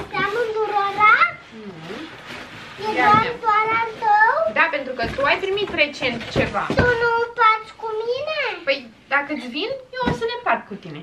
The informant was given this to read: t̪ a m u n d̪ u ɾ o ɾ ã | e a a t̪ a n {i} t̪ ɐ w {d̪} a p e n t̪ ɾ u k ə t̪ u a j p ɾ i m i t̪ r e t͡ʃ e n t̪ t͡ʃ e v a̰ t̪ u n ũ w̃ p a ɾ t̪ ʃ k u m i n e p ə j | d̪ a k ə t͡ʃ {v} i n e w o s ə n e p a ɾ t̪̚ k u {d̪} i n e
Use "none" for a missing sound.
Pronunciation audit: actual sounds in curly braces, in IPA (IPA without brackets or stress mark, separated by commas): a, d̪, v, t̪